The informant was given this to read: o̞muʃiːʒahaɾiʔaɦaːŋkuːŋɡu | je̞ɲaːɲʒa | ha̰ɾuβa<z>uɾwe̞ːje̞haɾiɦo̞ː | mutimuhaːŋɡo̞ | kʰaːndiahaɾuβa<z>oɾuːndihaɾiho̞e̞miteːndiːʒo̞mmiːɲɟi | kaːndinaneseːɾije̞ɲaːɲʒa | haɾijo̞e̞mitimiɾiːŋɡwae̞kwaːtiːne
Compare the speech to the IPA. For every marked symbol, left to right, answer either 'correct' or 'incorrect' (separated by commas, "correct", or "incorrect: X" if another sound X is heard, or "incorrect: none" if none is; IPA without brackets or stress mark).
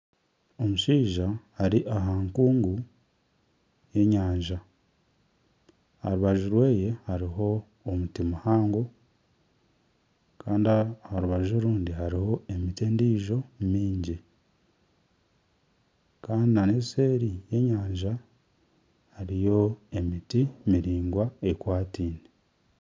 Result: incorrect: ʒ, incorrect: ʒ